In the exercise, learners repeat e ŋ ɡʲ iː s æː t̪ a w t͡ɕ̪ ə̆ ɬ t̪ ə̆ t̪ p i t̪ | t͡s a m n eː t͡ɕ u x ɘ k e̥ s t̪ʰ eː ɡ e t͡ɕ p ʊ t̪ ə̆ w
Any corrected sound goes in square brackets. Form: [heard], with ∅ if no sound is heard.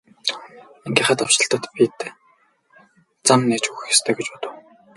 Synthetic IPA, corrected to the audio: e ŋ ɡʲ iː [χ] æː t̪ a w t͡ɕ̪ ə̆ ɬ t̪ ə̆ t̪ p i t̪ | t͡s a m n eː t͡ɕ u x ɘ [x] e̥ s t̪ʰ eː ɡ e t͡ɕ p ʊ t̪ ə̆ w